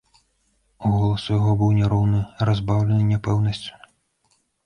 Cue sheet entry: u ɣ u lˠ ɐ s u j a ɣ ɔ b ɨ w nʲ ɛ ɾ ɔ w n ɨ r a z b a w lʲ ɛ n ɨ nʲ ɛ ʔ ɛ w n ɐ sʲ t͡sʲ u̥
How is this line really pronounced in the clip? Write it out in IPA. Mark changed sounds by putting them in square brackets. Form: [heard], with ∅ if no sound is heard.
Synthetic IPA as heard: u ɣ [ɔ] lˠ ɐ s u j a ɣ ɔ b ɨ w nʲ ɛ ɾ ɔ w n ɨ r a z b a w lʲ ɛ n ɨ nʲ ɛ [p] ɛ w n ɐ sʲ t͡sʲ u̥

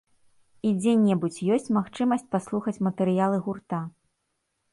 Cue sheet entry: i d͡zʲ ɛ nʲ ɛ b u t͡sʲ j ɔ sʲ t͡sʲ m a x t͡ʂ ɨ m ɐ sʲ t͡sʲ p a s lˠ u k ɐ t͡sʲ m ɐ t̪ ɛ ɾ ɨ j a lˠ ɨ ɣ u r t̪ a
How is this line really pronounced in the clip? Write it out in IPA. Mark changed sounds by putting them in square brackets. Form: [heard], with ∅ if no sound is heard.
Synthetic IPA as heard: i d͡zʲ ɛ nʲ ɛ b u t͡sʲ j ɔ sʲ t͡sʲ m a x t͡ʂ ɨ m ɐ sʲ t͡sʲ p a s lˠ u [x] ɐ t͡sʲ m ɐ t̪ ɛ ɾ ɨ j a lˠ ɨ ɣ u r t̪ a

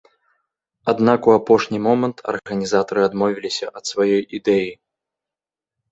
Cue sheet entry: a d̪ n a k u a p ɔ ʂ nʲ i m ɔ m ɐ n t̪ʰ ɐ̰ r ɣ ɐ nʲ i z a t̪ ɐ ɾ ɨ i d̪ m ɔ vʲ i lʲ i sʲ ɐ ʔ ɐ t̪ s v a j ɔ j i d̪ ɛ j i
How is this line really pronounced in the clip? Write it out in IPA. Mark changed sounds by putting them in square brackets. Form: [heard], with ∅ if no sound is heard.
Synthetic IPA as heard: a d̪ n a k u a p ɔ ʂ nʲ i m ɔ m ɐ n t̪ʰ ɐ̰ r ɣ ɐ nʲ i z a t̪ ɐ ɾ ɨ [a] d̪ m ɔ vʲ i lʲ i sʲ ɐ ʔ ɐ t̪ s v a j ɔ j i d̪ ɛ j i

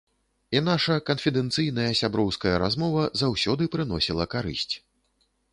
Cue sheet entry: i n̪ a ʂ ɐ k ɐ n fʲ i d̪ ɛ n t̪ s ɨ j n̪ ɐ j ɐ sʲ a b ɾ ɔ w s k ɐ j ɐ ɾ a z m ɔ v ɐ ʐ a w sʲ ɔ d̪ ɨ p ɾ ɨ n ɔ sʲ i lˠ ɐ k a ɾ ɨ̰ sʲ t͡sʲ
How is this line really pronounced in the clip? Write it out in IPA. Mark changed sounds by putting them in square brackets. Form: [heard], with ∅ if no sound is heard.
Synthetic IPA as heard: i n̪ a ʂ ɐ k ɐ n fʲ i d̪ ɛ n t̪ s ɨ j n̪ ɐ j ɐ sʲ a b ɾ ɔ w s k ɐ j ɐ ɾ a z m ɔ v ɐ [z] a w sʲ ɔ d̪ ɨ p ɾ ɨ n ɔ sʲ i lˠ ɐ k a ɾ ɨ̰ sʲ t͡sʲ

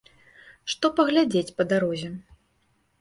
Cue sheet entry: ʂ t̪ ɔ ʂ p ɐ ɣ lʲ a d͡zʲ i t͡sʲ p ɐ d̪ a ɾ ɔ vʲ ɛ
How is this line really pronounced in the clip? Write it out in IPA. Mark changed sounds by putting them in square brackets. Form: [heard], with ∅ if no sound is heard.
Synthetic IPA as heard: ʂ t̪ ɔ [∅] p ɐ ɣ lʲ a d͡zʲ [e] t͡sʲ p ɐ d̪ a ɾ ɔ [zʲ] ɛ

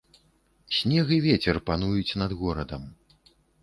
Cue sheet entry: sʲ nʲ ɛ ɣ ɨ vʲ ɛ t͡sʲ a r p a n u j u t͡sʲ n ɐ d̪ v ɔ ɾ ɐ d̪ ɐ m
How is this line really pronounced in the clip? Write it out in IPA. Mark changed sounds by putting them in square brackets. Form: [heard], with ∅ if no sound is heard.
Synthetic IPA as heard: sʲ nʲ ɛ ɣ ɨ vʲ ɛ t͡sʲ [ɛ] r p a n u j u t͡sʲ n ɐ d̪ [ɣ] ɔ ɾ ɐ d̪ ɐ m

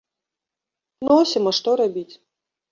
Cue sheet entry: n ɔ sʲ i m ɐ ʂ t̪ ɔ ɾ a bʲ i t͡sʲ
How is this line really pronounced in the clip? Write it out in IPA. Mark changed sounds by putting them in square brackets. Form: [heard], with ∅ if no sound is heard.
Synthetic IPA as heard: n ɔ sʲ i m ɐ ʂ t̪ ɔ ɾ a bʲ i t͡sʲ

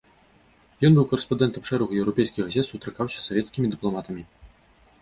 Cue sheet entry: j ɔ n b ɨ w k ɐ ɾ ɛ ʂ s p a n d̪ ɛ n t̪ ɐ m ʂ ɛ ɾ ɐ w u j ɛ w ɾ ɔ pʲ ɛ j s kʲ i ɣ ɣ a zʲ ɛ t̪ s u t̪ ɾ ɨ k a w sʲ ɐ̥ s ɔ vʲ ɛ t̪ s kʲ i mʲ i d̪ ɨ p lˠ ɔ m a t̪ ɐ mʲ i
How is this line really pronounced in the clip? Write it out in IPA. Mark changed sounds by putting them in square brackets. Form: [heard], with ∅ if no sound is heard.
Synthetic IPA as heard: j ɔ n b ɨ w k ɐ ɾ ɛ [∅] s p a n d̪ ɛ n t̪ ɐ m ʂ ɛ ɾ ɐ [ɣ] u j ɛ w ɾ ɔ pʲ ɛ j s kʲ i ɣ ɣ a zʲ ɛ t̪ s u t̪ ɾ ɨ k a w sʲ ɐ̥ s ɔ vʲ ɛ t̪ s kʲ i mʲ i d̪ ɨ p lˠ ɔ m a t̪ ɐ mʲ i

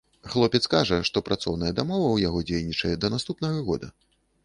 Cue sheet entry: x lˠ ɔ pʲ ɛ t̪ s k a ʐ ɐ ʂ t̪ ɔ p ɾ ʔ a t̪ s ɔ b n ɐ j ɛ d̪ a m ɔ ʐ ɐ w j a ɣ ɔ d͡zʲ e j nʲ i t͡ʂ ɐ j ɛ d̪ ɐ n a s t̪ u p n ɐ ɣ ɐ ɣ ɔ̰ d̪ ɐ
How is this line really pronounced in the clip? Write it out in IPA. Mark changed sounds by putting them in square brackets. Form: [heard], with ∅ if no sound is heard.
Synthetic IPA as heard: x lˠ ɔ pʲ ɛ t̪ s k a ʐ ɐ ʂ t̪ ɔ p ɾ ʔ a t̪ s ɔ [w] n ɐ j ɛ d̪ a m ɔ [v] ɐ w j a ɣ ɔ d͡zʲ e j nʲ i t͡ʂ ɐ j ɛ d̪ ɐ n a s t̪ u p n ɐ ɣ ɐ ɣ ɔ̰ d̪ ɐ

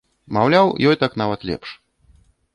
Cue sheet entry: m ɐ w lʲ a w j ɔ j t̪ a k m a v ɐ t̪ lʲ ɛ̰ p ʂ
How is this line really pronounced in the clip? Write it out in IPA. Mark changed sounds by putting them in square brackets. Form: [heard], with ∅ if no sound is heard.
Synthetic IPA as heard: m [a] w lʲ a w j ɔ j t̪ a k [n] a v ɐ t̪ lʲ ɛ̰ p ʂ

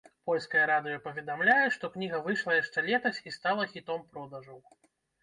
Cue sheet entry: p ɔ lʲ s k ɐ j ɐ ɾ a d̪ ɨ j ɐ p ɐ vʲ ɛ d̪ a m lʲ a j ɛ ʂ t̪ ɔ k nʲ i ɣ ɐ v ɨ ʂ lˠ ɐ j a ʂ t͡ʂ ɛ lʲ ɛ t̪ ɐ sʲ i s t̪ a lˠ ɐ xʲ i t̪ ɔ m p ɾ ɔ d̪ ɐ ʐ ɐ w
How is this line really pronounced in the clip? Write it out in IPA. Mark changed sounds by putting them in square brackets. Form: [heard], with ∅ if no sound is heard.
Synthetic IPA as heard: p ɔ lʲ s k ɐ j ɐ ɾ a d̪ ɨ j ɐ p ɐ vʲ ɛ d̪ a m lʲ a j ɛ ʂ t̪ ɔ k nʲ i ɣ ɐ v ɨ ʂ lˠ ɐ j a ʂ t͡ʂ ɛ lʲ ɛ t̪ ɐ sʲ i s t̪ a lˠ ɐ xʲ i t̪ ɔ m p ɾ ɔ d̪ ɐ ʐ ɐ w

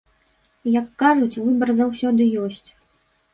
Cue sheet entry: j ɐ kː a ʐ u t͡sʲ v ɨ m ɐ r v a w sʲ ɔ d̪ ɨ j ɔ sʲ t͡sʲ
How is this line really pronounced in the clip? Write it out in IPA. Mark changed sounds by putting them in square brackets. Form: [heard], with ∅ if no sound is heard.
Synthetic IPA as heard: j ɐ kː a ʐ u t͡sʲ v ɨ [b] ɐ r [z] a w sʲ ɔ d̪ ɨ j ɔ sʲ t͡sʲ

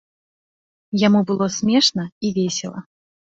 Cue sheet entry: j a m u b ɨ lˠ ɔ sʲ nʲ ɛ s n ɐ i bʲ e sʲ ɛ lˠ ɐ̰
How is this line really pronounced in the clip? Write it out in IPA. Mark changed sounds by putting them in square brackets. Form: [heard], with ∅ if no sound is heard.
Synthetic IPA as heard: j a m u b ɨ lˠ ɔ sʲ [mʲ] ɛ [ʂ] n ɐ i [vʲ] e sʲ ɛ lˠ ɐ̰

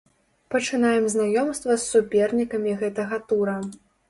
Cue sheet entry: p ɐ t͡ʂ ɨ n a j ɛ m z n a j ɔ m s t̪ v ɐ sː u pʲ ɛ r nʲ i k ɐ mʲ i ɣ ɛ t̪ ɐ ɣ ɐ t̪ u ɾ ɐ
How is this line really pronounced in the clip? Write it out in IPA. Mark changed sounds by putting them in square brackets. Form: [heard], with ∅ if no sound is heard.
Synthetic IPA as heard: p ɐ t͡ʂ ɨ n a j ɛ m z n a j ɔ m s t̪ v ɐ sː u pʲ ɛ r nʲ i k ɐ mʲ i ɣ ɛ t̪ ɐ ɣ ɐ t̪ u ɾ ɐ

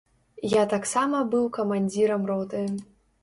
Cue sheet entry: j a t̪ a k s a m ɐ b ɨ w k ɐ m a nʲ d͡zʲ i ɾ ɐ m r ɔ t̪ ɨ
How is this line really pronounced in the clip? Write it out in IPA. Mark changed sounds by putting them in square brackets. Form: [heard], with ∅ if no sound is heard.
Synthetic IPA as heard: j a t̪ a k s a m ɐ b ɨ w k ɐ m a nʲ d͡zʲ i ɾ ɐ m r ɔ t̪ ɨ

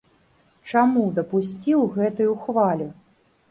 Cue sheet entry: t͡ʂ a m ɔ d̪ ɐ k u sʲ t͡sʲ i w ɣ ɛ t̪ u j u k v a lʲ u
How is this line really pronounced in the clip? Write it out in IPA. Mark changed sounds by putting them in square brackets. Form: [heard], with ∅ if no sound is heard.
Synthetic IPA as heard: t͡ʂ a m [u] d̪ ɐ [p] u sʲ t͡sʲ i w ɣ ɛ t̪ u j u [x] v a lʲ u

